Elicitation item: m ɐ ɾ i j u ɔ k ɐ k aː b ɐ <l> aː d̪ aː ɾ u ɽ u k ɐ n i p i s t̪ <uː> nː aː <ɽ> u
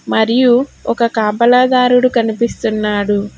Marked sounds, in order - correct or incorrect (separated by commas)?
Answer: correct, incorrect, correct